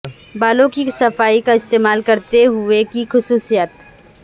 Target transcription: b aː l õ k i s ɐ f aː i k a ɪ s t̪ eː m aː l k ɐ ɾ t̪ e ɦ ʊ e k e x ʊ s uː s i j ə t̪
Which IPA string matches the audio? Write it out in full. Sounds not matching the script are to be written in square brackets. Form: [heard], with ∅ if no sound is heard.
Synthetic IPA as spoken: b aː l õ k i s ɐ f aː i k a ɪ s t̪ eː m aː l k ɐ ɾ t̪ e ɦ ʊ e k [i] x ʊ s uː s i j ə t̪